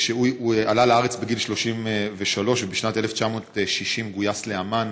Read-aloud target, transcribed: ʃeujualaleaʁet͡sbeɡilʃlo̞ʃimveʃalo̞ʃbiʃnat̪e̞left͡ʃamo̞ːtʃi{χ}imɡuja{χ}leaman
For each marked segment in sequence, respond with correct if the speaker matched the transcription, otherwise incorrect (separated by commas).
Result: incorrect, incorrect